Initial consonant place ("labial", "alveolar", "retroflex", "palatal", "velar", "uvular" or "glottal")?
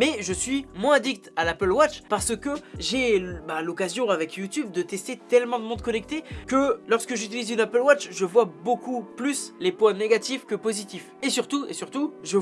labial